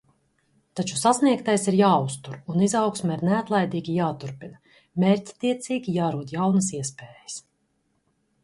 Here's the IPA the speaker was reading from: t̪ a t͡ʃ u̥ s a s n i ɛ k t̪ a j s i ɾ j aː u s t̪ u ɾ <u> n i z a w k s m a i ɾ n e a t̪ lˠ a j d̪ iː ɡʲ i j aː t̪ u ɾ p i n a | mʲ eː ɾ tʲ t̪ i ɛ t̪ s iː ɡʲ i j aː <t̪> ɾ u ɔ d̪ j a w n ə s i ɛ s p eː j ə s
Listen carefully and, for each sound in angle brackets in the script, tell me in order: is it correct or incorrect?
correct, incorrect: none

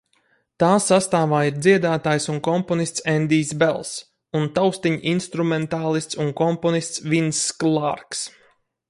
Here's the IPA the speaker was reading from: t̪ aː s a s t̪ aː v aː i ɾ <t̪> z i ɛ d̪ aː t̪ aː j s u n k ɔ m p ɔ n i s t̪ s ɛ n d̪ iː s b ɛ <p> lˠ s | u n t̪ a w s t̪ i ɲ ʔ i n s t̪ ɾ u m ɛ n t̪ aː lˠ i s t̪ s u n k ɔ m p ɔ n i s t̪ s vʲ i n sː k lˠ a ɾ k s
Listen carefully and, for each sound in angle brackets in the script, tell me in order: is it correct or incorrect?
incorrect: d̪, incorrect: none

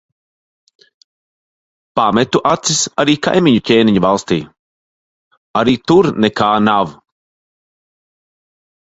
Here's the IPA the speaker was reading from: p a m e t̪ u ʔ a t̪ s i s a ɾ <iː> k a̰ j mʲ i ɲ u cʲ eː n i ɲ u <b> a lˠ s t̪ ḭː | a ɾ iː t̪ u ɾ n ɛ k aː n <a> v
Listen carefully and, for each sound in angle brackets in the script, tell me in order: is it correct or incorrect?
correct, incorrect: v, correct

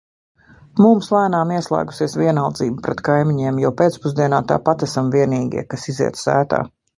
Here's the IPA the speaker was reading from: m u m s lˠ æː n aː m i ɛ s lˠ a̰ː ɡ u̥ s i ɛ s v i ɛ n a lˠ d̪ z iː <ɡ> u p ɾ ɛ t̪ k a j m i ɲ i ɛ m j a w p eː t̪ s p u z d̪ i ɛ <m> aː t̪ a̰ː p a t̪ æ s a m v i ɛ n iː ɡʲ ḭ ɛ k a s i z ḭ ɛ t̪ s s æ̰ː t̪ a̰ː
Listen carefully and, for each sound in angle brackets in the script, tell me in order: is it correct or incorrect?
incorrect: b, incorrect: n

